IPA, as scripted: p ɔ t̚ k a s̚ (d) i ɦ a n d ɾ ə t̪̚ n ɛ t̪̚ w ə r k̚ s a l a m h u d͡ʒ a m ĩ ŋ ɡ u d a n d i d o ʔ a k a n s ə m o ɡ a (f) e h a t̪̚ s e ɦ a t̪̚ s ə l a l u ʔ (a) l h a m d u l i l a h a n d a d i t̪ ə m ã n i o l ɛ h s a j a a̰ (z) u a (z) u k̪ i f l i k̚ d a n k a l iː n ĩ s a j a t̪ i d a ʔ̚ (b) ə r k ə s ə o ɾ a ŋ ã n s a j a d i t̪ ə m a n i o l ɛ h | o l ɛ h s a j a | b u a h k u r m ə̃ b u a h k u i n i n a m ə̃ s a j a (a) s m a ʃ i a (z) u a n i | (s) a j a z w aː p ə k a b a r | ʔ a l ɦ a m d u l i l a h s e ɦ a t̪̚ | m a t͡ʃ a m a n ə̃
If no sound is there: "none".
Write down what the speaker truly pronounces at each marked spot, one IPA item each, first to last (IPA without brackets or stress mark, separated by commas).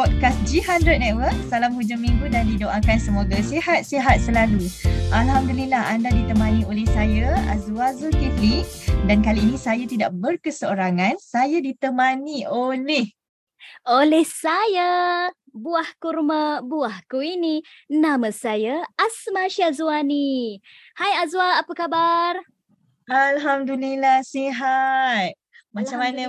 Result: d͡ʒ, s, a, z, z, b, a, z, h